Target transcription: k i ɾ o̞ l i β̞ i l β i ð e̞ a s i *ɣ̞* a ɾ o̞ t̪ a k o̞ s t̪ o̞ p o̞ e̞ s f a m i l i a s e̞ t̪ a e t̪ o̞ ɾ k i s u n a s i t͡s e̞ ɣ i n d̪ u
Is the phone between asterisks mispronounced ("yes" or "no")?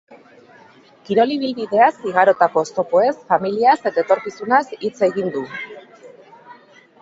no